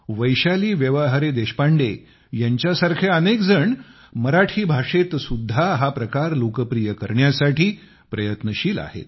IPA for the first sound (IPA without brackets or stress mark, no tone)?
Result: ʋ